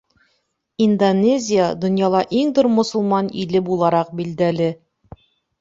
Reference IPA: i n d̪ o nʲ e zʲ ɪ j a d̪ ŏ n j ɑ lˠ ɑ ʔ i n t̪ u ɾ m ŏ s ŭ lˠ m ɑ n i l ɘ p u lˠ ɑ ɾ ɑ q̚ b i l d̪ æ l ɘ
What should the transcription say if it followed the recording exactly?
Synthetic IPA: i n d̪ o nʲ e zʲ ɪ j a d̪ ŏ n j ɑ lˠ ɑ ʔ i ŋ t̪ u ɾ m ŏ s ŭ lˠ m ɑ n i l ɘ b u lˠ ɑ ɾ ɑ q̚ b i l d̪ æ l ɘ